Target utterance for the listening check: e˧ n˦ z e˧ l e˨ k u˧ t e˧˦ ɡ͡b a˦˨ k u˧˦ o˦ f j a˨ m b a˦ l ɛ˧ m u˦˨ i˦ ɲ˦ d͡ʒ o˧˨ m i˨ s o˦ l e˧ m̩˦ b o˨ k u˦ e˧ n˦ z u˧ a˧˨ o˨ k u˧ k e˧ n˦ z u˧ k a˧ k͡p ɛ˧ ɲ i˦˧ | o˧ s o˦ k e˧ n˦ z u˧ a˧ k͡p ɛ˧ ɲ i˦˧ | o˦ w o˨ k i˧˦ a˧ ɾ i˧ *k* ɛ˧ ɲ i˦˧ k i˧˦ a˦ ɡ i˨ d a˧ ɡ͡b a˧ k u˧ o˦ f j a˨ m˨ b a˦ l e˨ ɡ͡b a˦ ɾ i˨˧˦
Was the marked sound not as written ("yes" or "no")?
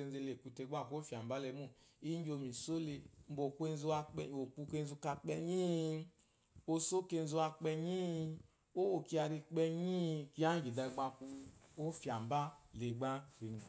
yes